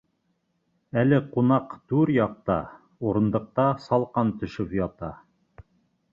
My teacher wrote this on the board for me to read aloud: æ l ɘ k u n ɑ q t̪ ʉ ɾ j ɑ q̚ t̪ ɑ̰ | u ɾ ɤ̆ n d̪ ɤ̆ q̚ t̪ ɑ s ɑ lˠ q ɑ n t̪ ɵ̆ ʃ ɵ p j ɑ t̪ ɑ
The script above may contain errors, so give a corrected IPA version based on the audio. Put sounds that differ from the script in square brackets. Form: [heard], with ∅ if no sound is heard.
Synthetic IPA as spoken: æ l ɘ [q] u n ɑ q t̪ ʉ ɾ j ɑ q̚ t̪ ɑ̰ | u ɾ ɤ̆ n d̪ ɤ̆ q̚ t̪ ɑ s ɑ lˠ q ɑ n t̪ ɵ̆ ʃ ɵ p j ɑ t̪ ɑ